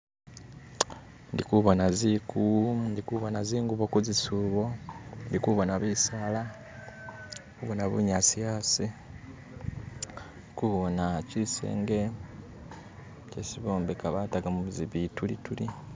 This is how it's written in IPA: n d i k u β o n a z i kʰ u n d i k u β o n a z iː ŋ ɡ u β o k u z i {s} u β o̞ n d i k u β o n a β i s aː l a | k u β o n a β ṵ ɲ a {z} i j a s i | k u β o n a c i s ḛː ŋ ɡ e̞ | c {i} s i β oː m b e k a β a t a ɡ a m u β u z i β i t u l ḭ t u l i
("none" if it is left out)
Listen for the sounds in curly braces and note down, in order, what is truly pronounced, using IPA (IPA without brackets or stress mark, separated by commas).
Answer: s, s, e